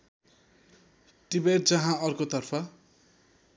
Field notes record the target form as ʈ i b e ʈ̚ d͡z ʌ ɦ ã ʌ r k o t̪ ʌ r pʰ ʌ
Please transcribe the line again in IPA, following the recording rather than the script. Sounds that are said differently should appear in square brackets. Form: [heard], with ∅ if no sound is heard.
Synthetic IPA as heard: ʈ i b e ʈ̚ d͡z ʌ ɦ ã ʌ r k o t̪ ʌ r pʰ ʌ